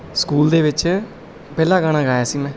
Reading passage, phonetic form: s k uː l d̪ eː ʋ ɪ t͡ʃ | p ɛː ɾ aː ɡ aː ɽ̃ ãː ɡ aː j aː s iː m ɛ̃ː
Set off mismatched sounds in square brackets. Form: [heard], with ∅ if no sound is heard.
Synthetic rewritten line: s k uː l d̪ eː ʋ ɪ t͡ʃ | p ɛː [l] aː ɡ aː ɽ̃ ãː ɡ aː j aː s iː m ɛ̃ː